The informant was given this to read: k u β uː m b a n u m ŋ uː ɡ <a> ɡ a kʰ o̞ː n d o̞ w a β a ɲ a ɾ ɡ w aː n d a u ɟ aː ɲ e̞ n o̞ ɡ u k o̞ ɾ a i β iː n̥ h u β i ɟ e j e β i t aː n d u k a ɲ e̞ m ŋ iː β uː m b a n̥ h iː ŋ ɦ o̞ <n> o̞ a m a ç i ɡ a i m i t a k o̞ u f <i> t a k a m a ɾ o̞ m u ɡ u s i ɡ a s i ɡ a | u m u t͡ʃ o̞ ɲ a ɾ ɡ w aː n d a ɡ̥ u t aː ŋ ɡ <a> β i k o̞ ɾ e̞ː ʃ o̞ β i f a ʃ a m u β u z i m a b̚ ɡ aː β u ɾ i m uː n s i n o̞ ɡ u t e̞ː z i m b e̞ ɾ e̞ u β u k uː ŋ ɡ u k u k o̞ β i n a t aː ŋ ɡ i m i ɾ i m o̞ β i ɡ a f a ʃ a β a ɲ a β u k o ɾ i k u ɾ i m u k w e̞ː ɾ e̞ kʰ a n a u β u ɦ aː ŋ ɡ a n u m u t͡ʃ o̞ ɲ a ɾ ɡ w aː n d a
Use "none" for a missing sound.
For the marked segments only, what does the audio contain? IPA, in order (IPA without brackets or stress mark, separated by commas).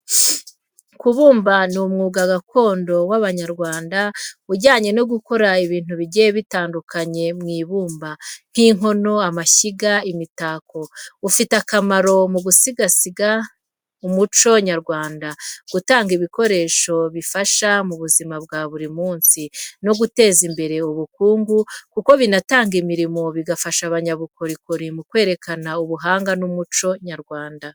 a, n, i, i